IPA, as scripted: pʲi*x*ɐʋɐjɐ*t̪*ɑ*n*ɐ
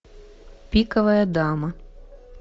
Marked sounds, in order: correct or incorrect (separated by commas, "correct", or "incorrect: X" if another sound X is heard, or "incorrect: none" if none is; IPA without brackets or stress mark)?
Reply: incorrect: k, incorrect: d̪, incorrect: m